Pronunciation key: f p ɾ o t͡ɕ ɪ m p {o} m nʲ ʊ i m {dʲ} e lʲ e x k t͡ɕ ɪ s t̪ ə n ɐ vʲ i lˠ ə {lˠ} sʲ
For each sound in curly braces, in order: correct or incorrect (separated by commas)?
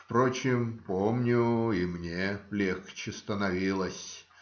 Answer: correct, incorrect, incorrect